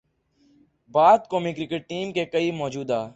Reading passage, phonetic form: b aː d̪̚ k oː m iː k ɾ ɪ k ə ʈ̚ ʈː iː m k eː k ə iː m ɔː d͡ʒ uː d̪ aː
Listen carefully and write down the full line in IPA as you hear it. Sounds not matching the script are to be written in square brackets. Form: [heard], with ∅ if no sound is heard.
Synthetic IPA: b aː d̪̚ k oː m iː k ɾ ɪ k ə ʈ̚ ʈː iː m k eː k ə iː m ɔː d͡ʒ uː d̪ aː